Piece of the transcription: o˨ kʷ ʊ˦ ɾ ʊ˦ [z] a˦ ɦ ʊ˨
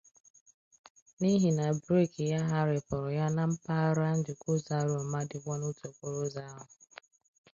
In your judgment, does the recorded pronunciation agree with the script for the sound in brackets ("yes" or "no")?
yes